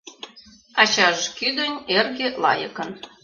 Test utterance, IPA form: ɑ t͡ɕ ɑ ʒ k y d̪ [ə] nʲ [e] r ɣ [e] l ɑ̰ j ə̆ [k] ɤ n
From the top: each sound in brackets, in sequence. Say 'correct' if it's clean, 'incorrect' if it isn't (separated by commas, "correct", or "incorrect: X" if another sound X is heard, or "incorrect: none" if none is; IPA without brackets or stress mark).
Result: correct, correct, correct, correct